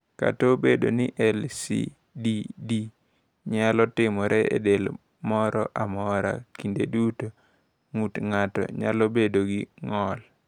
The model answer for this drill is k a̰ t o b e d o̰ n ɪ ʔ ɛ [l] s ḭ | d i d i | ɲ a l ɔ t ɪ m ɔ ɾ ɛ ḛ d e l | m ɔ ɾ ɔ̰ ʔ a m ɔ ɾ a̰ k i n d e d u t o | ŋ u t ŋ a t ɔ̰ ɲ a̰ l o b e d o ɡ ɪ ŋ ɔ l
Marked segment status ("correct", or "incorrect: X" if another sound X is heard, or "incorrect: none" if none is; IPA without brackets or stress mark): correct